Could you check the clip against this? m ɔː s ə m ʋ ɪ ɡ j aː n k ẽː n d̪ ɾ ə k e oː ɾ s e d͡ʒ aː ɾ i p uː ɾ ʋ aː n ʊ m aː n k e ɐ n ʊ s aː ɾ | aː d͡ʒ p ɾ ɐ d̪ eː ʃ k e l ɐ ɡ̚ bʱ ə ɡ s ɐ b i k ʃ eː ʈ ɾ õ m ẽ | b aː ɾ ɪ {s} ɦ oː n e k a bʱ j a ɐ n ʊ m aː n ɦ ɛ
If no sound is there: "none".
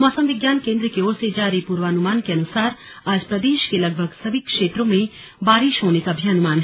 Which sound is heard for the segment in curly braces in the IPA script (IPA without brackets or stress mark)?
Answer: ʃ